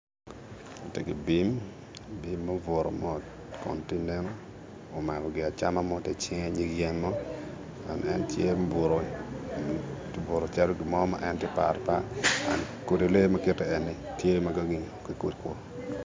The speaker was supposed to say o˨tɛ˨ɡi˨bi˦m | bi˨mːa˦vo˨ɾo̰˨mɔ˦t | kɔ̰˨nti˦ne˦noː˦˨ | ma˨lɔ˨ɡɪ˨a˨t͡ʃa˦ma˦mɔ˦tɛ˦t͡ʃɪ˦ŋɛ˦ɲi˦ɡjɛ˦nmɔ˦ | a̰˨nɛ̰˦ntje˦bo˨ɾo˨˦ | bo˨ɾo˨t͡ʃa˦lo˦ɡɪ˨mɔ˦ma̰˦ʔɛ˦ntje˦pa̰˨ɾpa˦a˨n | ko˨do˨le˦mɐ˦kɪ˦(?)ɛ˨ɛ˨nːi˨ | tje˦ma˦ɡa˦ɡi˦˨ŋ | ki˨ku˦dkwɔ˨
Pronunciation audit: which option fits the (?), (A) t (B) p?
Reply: A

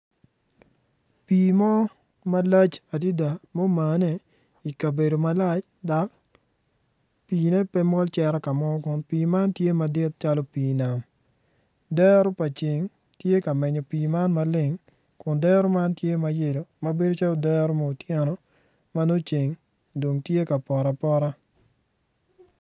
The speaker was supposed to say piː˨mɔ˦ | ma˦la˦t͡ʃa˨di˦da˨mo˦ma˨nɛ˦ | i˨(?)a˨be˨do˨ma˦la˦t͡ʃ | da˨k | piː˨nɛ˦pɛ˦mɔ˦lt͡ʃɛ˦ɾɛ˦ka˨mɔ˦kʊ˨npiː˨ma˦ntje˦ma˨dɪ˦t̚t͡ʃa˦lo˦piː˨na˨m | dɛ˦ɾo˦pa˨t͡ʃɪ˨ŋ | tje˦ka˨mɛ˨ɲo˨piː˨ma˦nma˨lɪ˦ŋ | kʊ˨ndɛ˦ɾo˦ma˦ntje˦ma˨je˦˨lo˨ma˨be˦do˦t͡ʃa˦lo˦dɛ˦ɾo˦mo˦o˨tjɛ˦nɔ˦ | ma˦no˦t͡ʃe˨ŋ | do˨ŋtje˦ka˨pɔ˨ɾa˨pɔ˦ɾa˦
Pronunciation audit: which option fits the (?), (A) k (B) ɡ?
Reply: A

